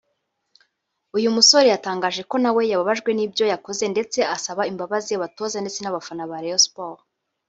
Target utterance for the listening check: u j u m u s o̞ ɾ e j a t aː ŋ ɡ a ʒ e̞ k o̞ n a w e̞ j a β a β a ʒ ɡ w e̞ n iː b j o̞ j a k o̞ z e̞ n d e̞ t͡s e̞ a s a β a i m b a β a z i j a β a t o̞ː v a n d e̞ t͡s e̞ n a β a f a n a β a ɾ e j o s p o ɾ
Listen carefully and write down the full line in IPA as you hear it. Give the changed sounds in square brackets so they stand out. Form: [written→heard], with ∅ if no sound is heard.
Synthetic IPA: u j u m u s o̞ ɾ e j a t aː ŋ ɡ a ʒ e̞ k o̞ n a w e̞ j a β a β a ʒ ɡ w e̞ n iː b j o̞ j a k o̞ z e̞ n d e̞ t͡s e̞ a s a β a i m b a β a z i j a β a t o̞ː [v→z] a n d e̞ t͡s e̞ n a β a f a n a β a ɾ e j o s p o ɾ